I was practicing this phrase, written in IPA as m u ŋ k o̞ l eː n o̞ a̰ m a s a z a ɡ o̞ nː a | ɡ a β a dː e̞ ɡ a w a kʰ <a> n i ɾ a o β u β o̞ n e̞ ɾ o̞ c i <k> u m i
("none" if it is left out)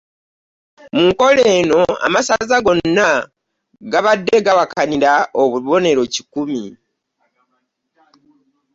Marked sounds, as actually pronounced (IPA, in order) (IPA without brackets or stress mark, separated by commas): a, k